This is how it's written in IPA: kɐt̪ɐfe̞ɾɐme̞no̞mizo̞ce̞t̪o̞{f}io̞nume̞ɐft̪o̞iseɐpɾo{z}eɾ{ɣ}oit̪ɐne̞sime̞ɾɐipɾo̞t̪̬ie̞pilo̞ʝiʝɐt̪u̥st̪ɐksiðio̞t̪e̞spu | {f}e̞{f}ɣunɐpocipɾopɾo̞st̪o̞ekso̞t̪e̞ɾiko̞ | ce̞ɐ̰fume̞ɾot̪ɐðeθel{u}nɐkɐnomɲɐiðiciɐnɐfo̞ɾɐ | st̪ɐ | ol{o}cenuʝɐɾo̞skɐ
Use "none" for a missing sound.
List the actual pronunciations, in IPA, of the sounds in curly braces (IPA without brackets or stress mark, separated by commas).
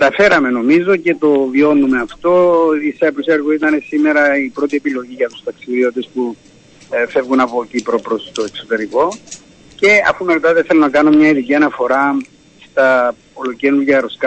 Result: v, s, ɣ, f, v, o, o